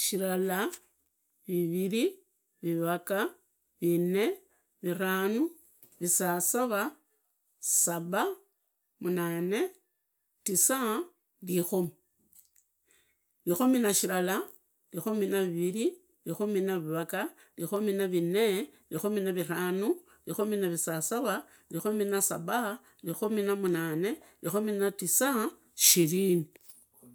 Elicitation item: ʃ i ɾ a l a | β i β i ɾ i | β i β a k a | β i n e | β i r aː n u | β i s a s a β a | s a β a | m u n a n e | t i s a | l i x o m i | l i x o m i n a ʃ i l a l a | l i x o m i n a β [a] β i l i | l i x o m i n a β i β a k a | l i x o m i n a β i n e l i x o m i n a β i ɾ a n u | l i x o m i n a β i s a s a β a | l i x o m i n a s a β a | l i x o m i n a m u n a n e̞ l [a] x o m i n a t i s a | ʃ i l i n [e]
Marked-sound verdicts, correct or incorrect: incorrect: i, incorrect: i, incorrect: i

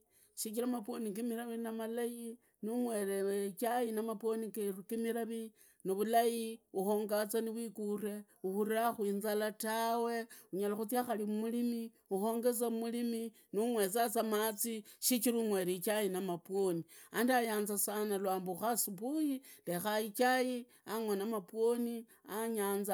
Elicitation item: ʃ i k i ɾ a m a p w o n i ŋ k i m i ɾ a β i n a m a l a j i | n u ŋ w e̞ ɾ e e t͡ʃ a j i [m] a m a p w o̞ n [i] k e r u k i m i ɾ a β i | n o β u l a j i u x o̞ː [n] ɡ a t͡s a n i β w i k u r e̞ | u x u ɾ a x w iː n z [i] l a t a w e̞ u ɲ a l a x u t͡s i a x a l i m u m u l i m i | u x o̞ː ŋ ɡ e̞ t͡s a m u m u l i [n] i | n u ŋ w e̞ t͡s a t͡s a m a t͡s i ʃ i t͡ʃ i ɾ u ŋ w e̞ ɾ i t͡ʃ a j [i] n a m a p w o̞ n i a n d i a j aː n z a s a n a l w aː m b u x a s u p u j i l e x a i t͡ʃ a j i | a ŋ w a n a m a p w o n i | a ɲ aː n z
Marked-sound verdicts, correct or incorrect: incorrect: n, correct, incorrect: ŋ, incorrect: a, incorrect: m, correct

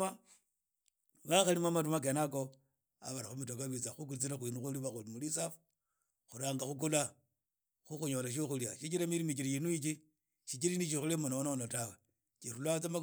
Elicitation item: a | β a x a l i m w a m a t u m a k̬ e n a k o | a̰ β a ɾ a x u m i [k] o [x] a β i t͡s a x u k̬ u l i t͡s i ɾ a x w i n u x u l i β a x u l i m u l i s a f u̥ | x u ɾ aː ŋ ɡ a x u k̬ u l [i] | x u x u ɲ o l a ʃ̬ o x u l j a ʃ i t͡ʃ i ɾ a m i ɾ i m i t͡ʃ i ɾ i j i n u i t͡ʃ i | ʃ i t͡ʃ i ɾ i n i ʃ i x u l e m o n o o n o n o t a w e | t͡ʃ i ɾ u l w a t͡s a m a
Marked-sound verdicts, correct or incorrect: incorrect: t, incorrect: k, incorrect: a

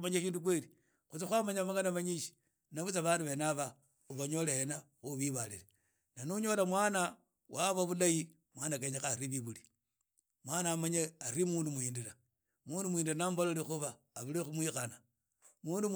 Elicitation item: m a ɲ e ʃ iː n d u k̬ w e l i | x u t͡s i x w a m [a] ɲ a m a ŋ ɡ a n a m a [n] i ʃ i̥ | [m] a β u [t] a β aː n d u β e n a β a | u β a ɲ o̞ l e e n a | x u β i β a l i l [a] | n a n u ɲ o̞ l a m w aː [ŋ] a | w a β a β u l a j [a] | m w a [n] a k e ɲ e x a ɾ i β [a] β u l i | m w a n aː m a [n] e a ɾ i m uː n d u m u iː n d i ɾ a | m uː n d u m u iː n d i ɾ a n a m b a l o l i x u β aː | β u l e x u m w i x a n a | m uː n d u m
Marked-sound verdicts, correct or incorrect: correct, incorrect: ɲ, incorrect: n, incorrect: t͡s, incorrect: e, incorrect: n, incorrect: i, correct, incorrect: i, incorrect: ɲ

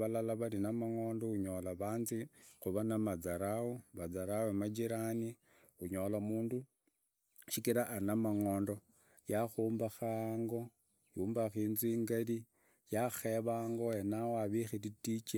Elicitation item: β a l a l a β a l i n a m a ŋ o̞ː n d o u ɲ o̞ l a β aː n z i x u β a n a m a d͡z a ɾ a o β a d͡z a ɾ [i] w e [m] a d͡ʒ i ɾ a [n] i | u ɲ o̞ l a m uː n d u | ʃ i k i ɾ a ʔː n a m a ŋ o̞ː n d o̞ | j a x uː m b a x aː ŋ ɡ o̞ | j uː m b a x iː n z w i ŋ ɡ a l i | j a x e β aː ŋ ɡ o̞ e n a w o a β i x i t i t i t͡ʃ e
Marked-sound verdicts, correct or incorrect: incorrect: a, correct, correct

